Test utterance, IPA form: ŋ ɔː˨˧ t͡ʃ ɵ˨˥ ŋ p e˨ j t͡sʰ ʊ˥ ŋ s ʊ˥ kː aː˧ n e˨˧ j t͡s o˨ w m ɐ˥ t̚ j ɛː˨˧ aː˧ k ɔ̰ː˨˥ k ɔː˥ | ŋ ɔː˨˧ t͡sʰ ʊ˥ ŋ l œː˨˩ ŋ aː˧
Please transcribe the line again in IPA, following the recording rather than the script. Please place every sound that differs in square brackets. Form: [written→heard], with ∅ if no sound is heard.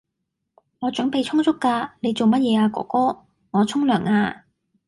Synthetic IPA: ŋ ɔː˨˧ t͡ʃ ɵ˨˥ ŋ p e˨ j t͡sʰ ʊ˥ ŋ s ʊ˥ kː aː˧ n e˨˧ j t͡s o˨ w m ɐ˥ t̚ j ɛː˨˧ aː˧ k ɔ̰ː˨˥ k ɔː˥ | ŋ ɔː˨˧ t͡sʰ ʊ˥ ŋ l œː˨˩ ŋ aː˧

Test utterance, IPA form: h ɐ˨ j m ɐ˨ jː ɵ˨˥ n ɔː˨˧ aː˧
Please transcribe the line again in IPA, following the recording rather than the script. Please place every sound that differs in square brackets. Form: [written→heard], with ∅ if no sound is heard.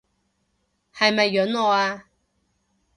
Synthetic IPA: h ɐ˨ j m ɐ˨ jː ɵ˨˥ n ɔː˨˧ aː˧

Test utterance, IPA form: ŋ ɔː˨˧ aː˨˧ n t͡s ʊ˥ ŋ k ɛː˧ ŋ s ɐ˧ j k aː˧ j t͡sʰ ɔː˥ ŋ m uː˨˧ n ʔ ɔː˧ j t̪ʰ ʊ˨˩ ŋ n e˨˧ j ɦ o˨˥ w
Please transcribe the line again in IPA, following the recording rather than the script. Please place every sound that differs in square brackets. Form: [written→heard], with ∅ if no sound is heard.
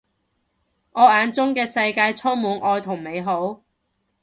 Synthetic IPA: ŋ ɔː˨˧ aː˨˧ n t͡s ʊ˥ ŋ k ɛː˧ [ŋ→∅] s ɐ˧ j k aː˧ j t͡sʰ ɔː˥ ŋ m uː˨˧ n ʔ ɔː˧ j t̪ʰ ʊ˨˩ ŋ [n→m] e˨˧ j ɦ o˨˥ w

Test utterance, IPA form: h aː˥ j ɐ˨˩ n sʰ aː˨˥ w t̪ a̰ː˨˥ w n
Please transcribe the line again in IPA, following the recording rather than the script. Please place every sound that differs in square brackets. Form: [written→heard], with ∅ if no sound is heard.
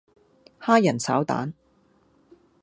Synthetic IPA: h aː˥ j ɐ˨˩ n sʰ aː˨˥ w t̪ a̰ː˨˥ [w→∅] n

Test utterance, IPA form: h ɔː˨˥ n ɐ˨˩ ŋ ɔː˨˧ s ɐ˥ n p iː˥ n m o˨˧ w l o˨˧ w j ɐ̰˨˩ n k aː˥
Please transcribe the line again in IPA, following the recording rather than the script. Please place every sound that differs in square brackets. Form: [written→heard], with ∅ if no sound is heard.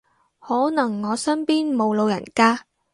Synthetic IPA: h ɔː˨˥ n ɐ˨˩ [ŋ→ŋː] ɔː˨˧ s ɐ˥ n p iː˥ n m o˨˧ w l o˨˧ w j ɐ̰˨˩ n k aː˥

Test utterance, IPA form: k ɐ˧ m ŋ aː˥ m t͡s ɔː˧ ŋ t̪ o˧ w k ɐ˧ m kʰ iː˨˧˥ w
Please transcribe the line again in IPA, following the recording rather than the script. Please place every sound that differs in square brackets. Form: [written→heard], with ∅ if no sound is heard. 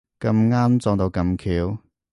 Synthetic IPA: k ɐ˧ m ŋ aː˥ m t͡s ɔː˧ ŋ t̪ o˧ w k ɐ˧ m kʰ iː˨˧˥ w

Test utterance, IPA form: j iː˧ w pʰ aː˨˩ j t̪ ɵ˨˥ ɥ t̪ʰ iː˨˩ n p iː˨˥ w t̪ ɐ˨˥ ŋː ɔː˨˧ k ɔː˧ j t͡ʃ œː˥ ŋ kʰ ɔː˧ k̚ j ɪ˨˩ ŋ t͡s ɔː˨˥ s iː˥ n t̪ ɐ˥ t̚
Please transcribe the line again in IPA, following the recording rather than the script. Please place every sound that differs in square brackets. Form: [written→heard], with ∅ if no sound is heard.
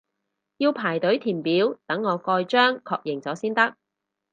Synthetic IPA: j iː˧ w pʰ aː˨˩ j t̪ ɵ˨˥ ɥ t̪ʰ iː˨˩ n p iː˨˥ w t̪ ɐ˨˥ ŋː ɔː˨˧ k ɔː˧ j t͡ʃ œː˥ ŋ kʰ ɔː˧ k̚ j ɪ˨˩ ŋ t͡s ɔː˨˥ s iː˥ n t̪ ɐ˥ [t̚→k̚]

